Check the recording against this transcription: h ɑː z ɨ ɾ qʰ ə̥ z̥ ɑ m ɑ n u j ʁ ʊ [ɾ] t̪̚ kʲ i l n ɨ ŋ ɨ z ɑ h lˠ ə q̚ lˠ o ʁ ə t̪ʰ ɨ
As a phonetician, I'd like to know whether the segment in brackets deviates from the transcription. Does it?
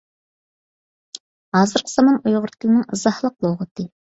no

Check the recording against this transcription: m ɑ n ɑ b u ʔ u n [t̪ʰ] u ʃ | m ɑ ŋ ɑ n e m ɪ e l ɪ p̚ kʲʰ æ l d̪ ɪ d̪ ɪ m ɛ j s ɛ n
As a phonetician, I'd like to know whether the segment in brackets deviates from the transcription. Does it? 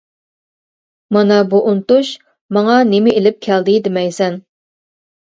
yes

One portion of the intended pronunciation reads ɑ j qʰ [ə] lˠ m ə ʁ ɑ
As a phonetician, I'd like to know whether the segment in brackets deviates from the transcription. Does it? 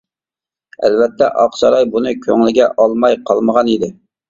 yes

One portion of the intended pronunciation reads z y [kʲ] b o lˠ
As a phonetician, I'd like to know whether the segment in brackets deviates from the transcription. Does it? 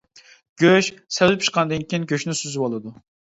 yes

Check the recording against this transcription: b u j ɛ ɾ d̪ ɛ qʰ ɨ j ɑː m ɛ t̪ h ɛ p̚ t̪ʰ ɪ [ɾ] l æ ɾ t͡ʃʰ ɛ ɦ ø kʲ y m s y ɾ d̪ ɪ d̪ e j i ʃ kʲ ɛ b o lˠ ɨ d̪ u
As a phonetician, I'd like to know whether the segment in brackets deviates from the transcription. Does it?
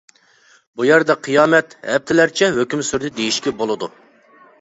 yes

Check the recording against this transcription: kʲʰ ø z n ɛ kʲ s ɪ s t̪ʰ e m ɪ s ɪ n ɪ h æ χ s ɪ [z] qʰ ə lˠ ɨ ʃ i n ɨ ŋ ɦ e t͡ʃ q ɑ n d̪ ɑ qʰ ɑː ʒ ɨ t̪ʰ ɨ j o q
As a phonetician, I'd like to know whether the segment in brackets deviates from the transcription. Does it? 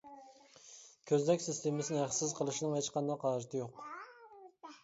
no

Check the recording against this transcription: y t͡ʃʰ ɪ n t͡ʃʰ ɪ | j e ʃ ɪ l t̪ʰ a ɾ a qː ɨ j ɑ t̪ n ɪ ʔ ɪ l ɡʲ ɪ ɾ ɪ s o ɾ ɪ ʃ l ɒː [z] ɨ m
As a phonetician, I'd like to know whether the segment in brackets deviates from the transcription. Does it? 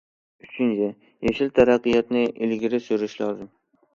no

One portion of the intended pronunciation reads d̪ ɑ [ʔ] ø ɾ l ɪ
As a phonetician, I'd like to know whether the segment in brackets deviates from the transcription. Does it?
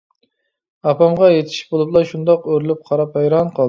yes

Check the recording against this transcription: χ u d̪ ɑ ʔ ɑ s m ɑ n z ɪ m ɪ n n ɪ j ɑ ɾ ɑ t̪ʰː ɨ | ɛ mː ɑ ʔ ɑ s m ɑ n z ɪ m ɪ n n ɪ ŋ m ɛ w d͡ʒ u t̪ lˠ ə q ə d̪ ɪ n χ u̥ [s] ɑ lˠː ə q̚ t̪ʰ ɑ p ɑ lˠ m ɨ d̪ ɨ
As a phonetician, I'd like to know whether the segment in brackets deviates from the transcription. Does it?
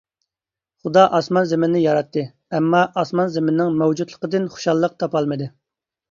yes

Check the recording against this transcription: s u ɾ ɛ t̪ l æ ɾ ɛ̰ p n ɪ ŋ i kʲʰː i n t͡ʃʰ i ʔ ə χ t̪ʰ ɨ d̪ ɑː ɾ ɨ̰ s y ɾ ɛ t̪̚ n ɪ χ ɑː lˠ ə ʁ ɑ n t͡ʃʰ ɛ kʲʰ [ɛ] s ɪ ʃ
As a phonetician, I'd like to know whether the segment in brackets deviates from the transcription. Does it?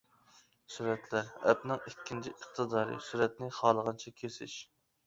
yes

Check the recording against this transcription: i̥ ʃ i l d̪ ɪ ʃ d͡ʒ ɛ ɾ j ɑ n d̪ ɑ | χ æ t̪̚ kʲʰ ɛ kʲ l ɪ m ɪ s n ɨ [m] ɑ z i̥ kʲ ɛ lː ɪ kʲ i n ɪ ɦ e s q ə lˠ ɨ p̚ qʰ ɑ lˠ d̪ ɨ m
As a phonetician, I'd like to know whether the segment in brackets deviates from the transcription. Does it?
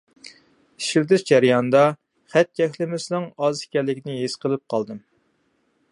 yes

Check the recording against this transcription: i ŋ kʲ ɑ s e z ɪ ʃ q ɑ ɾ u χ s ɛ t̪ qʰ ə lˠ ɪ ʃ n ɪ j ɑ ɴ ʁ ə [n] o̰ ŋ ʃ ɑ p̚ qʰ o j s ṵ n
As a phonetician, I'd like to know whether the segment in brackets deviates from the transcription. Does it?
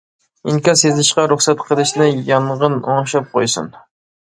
no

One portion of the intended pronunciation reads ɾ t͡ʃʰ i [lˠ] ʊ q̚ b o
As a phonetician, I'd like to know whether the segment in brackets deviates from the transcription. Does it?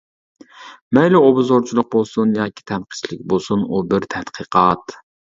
no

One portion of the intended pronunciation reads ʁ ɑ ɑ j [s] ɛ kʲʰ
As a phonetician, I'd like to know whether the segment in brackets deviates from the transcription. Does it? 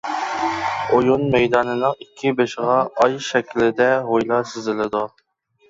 yes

